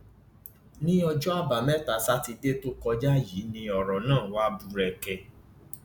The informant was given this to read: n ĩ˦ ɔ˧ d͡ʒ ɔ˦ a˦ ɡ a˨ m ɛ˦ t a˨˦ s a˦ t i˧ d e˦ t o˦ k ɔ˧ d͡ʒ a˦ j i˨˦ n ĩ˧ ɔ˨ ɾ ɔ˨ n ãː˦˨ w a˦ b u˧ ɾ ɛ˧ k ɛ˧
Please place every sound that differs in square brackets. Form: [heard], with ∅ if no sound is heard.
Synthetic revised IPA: n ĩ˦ ɔ˧ d͡ʒ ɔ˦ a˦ [b] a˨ m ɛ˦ t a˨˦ s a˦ t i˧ d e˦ t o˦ k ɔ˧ d͡ʒ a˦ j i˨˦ n ĩ˧ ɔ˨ ɾ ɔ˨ n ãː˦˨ w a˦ b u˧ ɾ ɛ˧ k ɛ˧

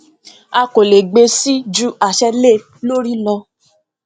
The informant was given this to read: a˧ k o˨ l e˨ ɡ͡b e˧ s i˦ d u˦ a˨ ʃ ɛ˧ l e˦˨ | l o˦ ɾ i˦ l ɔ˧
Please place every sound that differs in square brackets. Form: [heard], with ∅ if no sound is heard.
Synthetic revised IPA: a˧ k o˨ l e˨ ɡ͡b e˧ s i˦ [d͡ʒ] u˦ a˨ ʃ ɛ˧ l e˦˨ | l o˦ ɾ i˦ l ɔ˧

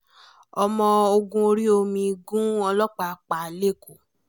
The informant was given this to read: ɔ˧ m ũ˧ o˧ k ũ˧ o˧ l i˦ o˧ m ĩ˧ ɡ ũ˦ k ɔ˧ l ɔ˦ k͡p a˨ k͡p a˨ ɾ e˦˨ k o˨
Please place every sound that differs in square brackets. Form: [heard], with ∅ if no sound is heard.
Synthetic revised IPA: ɔ˧ m [ɔ̃˧] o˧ [ɡ] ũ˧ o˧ [ɾ] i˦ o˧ m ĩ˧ ɡ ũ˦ [∅] ɔ˧ l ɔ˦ k͡p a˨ k͡p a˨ [l] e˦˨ k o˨

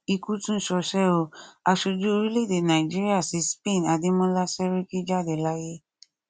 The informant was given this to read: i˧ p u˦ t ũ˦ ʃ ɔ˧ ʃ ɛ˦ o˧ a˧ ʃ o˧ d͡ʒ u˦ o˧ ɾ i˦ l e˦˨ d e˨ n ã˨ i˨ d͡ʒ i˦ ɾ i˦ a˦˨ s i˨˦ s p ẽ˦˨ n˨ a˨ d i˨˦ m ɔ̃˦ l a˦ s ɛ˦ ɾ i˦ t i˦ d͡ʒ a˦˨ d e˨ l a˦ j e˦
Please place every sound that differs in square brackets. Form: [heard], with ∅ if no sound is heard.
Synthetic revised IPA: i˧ [k] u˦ t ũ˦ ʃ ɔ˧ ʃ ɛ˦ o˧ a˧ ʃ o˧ d͡ʒ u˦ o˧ ɾ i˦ l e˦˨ d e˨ n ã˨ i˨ d͡ʒ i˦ ɾ i˦ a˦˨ s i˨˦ s p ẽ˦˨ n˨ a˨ d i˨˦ m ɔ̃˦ l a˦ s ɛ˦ ɾ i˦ [k] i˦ d͡ʒ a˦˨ d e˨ l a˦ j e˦

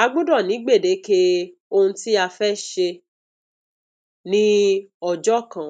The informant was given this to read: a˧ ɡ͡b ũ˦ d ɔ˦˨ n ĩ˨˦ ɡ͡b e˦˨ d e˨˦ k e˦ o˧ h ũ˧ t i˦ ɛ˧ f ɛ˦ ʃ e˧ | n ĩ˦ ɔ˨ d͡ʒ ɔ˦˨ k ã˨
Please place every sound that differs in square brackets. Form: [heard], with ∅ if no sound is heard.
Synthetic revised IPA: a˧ ɡ͡b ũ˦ d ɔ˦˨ n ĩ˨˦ ɡ͡b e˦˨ d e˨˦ k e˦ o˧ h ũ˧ t i˦ [a˧] f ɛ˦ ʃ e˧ | n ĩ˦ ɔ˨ d͡ʒ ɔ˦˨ k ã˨

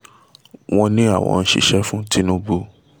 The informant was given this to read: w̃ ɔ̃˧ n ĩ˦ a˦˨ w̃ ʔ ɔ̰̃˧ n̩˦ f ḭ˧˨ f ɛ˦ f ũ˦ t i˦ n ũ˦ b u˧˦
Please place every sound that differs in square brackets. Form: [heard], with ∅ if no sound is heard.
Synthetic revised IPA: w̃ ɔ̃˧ n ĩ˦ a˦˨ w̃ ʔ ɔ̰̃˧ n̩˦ [ʃ] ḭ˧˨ [ʃ] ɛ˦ f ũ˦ t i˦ n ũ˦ b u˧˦

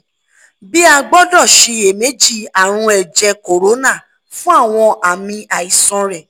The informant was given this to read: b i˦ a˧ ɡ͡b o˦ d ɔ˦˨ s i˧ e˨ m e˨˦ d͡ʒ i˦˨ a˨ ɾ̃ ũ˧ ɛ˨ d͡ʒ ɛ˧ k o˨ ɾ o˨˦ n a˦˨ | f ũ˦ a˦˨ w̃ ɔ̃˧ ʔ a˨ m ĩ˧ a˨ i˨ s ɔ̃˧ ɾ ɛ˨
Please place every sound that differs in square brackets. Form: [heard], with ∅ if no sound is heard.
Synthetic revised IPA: b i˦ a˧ ɡ͡b [ɔ˦] d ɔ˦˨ [ʃ] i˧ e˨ m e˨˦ d͡ʒ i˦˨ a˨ ɾ̃ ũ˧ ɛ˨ d͡ʒ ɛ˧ k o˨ ɾ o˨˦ n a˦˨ | f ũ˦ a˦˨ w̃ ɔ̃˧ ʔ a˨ m ĩ˧ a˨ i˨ s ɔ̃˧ ɾ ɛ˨

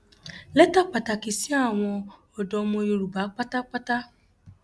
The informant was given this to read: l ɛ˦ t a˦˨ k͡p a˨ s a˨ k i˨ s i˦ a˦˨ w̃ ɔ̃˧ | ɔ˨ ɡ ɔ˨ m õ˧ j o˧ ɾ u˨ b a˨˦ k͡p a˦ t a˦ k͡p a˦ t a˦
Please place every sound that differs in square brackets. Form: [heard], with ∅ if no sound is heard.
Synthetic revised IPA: l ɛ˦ t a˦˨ k͡p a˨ [t] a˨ k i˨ s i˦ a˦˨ w̃ ɔ̃˧ | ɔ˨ [d] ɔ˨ m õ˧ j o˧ ɾ u˨ b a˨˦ k͡p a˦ t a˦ k͡p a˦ t a˦

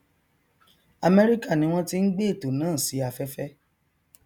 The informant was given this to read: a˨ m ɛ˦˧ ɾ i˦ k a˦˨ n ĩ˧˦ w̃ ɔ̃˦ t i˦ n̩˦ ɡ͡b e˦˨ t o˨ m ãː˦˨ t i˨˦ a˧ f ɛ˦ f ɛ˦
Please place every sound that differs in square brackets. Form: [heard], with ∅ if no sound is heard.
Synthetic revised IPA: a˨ m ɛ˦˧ ɾ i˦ k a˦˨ n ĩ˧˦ w̃ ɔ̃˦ t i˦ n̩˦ ɡ͡b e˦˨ t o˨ [n] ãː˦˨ [s] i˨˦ a˧ f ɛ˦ f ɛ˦

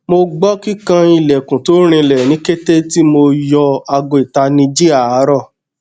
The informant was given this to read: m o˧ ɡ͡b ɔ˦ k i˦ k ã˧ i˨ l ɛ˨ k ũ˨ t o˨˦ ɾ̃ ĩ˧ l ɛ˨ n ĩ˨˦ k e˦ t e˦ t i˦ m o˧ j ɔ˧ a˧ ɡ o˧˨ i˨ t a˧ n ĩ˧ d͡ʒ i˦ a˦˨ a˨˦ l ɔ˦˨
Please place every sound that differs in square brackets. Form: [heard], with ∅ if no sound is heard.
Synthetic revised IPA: m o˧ ɡ͡b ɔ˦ k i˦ k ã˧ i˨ l ɛ˨ k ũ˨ t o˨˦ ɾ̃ ĩ˧ l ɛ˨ n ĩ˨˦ k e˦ t e˦ t i˦ m o˧ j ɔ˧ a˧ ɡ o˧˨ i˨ t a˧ n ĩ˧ d͡ʒ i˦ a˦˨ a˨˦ [ɾ] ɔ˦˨

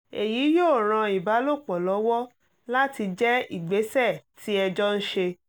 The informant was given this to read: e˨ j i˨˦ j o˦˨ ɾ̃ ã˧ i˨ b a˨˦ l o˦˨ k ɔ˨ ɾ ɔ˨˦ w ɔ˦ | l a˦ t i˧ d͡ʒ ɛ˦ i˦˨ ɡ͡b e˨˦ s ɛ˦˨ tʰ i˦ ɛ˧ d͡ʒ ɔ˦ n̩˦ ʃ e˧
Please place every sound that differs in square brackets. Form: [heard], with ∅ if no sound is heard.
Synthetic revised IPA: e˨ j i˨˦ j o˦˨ ɾ̃ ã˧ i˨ b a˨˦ l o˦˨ [k͡p] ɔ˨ [l] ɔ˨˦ w ɔ˦ | l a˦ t i˧ d͡ʒ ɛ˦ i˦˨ ɡ͡b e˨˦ s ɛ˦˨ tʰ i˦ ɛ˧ d͡ʒ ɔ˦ n̩˦ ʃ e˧

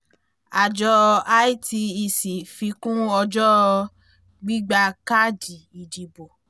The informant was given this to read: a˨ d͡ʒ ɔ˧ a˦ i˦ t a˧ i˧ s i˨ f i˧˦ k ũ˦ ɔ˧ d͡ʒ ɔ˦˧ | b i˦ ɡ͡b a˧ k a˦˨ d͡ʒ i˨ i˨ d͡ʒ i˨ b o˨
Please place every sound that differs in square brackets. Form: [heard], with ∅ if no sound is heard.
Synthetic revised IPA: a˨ d͡ʒ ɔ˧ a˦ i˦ t [i˧] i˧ s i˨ f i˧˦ k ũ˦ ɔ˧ d͡ʒ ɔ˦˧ | [ɡ͡b] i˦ ɡ͡b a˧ k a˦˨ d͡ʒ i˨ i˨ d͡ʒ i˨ b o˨

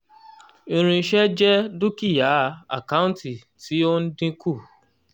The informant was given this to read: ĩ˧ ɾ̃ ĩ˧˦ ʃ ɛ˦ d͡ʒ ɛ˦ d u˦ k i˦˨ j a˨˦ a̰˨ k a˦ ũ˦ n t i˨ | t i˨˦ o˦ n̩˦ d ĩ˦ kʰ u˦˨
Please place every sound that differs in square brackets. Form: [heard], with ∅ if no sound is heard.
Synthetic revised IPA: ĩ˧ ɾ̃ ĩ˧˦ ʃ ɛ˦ d͡ʒ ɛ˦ d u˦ k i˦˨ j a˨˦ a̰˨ k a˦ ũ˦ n t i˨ | t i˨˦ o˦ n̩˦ d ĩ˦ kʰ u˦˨

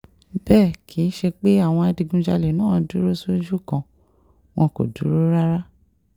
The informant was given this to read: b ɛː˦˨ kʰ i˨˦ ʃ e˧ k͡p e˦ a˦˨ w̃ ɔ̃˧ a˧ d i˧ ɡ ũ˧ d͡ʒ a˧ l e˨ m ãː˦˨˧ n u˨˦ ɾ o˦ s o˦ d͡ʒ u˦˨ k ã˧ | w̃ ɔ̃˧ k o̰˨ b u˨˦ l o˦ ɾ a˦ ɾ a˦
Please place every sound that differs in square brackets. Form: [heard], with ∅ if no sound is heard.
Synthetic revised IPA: b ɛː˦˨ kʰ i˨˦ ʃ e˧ k͡p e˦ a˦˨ w̃ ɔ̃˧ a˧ d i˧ ɡ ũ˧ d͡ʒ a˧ l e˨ [n] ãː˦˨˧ [d] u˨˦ ɾ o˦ s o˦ d͡ʒ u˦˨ k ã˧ | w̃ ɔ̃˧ k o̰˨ [d] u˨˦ [ɾ] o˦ ɾ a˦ ɾ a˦

